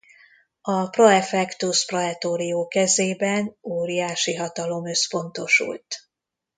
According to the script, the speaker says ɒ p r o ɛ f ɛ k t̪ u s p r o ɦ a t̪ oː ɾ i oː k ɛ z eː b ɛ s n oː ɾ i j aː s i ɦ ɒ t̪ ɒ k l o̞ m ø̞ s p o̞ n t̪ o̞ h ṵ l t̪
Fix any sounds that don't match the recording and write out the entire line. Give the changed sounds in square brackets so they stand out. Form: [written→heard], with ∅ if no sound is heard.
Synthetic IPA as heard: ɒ p r o ɛ f ɛ k t̪ u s p r o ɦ [a→ɛ] t̪ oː ɾ i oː k ɛ z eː b ɛ [s→∅] n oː ɾ i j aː [s→ʃ] i ɦ ɒ t̪ ɒ [k→∅] l o̞ m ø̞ s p o̞ n t̪ o̞ [h→ʃ] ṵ l t̪